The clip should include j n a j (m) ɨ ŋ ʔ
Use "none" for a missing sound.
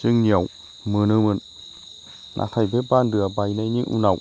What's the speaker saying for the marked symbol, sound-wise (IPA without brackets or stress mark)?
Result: ɲ